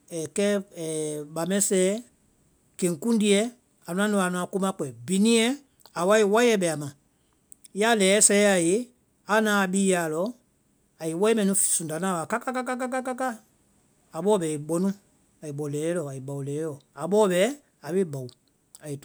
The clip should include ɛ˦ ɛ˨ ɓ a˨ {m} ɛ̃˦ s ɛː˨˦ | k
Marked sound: correct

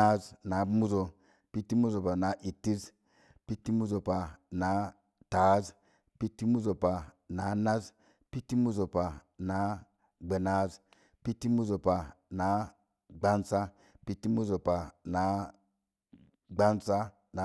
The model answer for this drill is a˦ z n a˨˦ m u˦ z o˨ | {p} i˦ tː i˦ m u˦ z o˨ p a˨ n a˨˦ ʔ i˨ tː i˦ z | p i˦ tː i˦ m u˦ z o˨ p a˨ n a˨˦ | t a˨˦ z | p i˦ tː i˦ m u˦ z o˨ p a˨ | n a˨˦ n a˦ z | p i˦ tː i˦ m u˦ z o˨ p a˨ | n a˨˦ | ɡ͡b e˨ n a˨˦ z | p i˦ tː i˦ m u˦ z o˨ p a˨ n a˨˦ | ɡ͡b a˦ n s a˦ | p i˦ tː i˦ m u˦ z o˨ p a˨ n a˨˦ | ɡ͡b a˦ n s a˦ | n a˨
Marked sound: correct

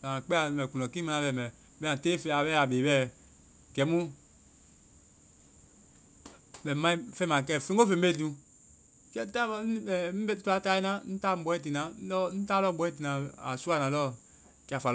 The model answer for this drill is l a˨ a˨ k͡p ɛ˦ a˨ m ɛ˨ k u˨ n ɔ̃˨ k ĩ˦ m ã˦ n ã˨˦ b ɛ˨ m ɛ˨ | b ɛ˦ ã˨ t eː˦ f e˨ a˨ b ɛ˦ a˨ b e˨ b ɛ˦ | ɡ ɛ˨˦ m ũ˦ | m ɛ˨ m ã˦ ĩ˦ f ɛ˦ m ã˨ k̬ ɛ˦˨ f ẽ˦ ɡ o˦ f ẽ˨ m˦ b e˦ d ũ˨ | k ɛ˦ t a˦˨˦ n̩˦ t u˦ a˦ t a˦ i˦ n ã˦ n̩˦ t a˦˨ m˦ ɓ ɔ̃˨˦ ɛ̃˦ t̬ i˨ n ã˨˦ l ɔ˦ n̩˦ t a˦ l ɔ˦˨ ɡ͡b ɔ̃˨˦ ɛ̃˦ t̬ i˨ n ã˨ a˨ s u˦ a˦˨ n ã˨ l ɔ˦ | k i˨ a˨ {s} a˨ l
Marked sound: incorrect: f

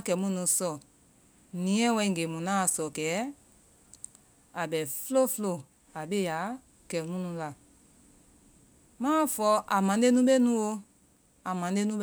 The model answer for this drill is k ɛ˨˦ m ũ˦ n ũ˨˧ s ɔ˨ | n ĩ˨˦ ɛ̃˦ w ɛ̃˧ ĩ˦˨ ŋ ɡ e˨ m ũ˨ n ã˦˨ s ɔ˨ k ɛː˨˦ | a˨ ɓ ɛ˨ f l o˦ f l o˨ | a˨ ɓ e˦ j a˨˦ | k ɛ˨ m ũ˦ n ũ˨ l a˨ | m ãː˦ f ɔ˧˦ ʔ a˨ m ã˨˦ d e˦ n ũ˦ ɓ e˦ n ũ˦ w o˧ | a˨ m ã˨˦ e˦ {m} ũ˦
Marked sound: incorrect: n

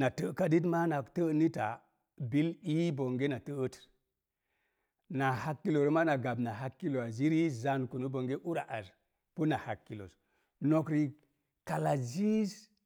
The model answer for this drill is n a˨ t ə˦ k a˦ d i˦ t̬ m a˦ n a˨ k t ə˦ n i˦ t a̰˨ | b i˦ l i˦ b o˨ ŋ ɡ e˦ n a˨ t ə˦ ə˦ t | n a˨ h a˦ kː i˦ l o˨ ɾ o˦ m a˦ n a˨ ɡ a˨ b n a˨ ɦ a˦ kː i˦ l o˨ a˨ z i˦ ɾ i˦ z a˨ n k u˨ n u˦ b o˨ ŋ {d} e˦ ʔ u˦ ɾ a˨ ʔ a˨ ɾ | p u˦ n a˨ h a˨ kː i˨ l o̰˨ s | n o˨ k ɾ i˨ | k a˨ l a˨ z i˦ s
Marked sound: incorrect: ɡ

